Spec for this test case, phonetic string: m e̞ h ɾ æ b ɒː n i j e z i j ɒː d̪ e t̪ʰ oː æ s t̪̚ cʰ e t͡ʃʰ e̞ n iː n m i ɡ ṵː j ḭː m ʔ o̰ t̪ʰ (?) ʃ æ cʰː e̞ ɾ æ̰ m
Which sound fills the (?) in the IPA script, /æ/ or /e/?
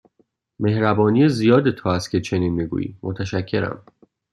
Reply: æ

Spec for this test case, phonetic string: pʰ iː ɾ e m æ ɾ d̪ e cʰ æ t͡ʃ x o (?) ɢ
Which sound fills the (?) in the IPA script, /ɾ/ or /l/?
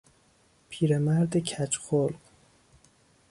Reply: l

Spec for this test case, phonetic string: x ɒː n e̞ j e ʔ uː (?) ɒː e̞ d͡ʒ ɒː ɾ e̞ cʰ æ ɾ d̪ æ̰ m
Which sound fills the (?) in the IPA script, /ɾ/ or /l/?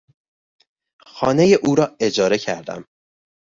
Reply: ɾ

